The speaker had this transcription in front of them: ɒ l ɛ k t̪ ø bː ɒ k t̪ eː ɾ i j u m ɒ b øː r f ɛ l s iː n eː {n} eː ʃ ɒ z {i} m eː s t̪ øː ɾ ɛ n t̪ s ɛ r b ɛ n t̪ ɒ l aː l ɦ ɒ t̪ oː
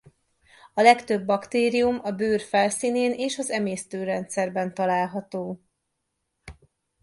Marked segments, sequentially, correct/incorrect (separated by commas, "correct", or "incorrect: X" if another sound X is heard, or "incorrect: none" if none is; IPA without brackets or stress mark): correct, incorrect: ɛ